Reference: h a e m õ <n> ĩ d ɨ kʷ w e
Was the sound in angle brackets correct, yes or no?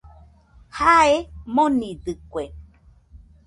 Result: yes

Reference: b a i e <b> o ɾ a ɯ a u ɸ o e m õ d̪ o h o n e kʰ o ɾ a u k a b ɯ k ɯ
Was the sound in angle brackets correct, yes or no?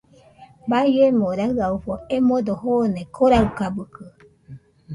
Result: no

